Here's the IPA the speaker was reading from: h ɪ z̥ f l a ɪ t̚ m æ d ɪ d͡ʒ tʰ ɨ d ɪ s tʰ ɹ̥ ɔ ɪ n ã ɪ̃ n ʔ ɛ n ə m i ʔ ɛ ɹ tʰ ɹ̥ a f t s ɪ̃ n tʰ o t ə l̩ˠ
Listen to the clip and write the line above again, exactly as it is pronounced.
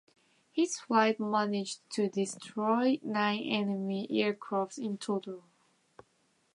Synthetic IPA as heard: h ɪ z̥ f l a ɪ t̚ m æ n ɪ d͡ʒ tʰ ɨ d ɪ s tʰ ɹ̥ ɔ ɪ n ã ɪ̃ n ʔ ɛ n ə m i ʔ ɛ ɹ kʰ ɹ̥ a f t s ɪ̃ n tʰ o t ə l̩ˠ